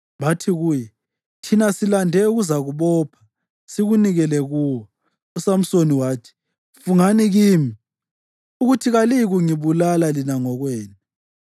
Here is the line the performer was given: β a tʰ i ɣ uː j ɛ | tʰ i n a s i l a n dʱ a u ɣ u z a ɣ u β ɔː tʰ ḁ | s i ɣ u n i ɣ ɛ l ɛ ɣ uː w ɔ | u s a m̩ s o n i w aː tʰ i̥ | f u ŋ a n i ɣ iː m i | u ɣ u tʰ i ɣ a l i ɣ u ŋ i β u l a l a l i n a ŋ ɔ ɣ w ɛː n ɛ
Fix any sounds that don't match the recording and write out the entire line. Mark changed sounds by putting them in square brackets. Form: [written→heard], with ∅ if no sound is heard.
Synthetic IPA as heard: β a tʰ i ɣ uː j ɛ | tʰ i n a s i l a n dʱ [a→ɛ] u ɣ u z a ɣ u β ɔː [tʰ→pʰ] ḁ | s i ɣ u n i ɣ ɛ l ɛ ɣ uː w ɔ | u s a m̩ s o n i w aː tʰ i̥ | f u ŋ a n i ɣ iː m i | u ɣ u tʰ i ɣ a l i ɣ u ŋ i β u l a l a l i n a ŋ ɔ ɣ w ɛː n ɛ